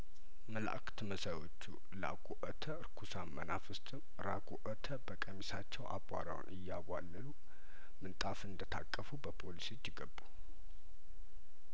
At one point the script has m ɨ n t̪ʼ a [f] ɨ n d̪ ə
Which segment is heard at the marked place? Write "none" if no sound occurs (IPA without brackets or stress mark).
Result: f